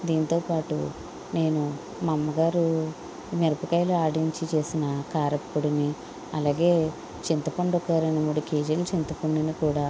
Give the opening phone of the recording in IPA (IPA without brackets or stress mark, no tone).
d̪